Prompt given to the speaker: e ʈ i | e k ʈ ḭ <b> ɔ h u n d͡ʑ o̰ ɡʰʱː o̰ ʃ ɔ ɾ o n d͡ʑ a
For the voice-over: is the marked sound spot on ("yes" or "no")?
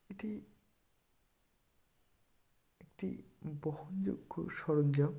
yes